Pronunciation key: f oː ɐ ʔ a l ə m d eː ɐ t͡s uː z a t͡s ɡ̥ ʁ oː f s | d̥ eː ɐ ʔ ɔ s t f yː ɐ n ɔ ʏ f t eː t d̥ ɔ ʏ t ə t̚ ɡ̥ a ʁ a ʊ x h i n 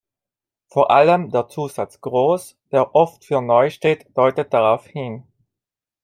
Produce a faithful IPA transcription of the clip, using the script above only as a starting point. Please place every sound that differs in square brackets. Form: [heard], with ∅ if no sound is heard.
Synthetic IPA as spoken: f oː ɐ ʔ a l ə m d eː ɐ t͡s uː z a t͡s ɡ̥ ʁ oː [∅] s | d̥ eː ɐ ʔ ɔ [f] t f yː ɐ n ɔ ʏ [ʃ] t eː t d̥ ɔ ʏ t ə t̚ [d̥] a ʁ a ʊ [f] h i n

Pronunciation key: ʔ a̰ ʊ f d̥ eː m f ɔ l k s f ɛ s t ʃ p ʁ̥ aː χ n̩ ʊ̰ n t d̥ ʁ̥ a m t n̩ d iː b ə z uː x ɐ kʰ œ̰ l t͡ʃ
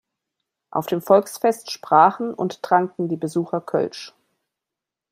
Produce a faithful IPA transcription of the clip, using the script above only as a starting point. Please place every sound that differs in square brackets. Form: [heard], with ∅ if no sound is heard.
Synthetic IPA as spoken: ʔ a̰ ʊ f d̥ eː m f ɔ l k s f ɛ s t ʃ p ʁ̥ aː χ n̩ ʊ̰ n t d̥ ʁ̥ a [ŋ] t n̩ d iː b ə z uː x ɐ kʰ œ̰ l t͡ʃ

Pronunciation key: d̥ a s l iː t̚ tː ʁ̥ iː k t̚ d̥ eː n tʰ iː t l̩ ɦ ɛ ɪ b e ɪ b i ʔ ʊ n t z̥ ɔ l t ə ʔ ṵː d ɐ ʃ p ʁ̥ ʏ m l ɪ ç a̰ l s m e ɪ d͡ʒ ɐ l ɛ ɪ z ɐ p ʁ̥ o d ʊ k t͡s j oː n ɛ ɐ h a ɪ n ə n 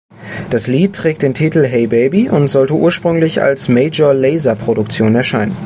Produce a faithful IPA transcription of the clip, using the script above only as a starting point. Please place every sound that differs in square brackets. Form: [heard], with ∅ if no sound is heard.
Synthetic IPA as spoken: d̥ a s l iː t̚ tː ʁ̥ [ɛː] k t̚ d̥ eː n tʰ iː t l̩ ɦ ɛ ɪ b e ɪ b i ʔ ʊ n t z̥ ɔ l t ə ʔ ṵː [∅] ɐ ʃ p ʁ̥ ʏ [ŋ] l ɪ ç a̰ l s m e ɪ d͡ʒ ɐ l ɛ ɪ z ɐ p ʁ̥ o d ʊ k t͡s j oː n ɛ ɐ [ʃ] a ɪ n ə n

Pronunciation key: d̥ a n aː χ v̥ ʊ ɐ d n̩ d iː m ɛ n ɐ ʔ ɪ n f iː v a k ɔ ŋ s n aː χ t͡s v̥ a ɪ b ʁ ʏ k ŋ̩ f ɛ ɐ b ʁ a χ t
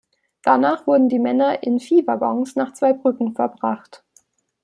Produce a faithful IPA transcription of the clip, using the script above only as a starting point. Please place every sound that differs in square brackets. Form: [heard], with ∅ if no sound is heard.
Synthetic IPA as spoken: d̥ a n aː χ v̥ ʊ ɐ d n̩ d iː m ɛ n ɐ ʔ ɪ n f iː v a [ɡ] ɔ ŋ s n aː χ t͡s v̥ a ɪ b ʁ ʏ k ŋ̩ f ɛ ɐ b ʁ a χ t

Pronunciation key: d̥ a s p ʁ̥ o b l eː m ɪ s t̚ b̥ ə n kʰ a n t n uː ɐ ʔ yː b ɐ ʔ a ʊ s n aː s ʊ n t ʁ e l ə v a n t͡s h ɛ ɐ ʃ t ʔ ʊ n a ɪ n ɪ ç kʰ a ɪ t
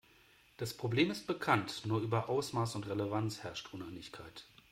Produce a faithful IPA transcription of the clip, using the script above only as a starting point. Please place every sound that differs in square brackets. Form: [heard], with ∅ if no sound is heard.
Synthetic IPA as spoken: d̥ a s p ʁ̥ o b l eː m ɪ s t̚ b̥ ə [∅] kʰ a n t n uː ɐ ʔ yː b ɐ ʔ a ʊ s [m] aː s ʊ n t ʁ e l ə v a n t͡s h ɛ ɐ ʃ t ʔ ʊ n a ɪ n ɪ ç kʰ a ɪ t

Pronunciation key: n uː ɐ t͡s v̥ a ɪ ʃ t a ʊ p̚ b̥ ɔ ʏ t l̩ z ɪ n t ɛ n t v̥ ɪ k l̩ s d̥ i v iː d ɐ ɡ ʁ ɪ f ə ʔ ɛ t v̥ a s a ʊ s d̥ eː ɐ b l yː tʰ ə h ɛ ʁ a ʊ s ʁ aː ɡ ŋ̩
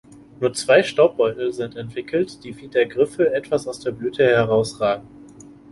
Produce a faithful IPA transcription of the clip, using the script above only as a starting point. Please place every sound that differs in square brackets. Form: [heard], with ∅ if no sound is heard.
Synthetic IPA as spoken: n uː ɐ t͡s v̥ a ɪ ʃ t a ʊ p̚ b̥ ɔ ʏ t l̩ z ɪ n t ɛ n t v̥ ɪ k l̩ [t] d̥ [iː] v iː d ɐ ɡ ʁ ɪ f ə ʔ ɛ t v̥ a s a ʊ s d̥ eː ɐ b l yː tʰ ə h ɛ ʁ a ʊ s ʁ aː ɡ ŋ̩

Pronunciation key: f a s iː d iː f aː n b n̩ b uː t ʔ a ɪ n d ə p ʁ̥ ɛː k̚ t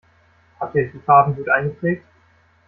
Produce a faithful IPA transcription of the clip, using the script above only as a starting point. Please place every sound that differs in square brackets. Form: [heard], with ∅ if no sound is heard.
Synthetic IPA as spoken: [h] a [t] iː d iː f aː [∅] b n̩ [ɡ] uː t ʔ a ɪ n [ɡ] ə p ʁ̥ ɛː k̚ t

